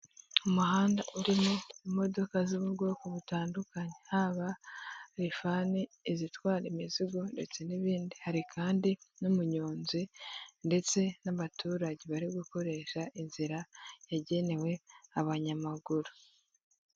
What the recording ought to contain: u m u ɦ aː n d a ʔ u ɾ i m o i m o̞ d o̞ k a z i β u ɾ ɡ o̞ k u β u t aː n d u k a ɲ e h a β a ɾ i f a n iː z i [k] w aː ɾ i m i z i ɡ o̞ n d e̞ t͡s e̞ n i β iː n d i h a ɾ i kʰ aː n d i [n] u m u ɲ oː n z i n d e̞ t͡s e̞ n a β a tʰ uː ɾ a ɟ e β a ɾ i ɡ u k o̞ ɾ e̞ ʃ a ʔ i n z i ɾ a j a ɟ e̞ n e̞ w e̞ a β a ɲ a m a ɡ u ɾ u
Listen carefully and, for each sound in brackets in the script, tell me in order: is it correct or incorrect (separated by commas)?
incorrect, correct